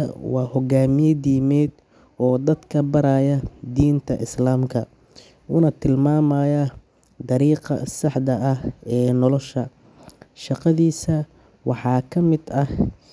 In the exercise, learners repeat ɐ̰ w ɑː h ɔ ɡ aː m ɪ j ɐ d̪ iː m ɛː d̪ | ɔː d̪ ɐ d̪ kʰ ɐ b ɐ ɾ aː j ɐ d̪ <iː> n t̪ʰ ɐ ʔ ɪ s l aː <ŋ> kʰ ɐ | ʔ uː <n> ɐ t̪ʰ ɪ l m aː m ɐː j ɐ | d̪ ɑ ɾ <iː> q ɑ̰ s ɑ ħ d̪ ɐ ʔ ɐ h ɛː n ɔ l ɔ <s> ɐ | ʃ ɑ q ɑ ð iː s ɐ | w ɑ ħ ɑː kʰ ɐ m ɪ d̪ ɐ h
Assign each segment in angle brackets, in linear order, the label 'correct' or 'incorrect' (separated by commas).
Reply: correct, incorrect, correct, correct, incorrect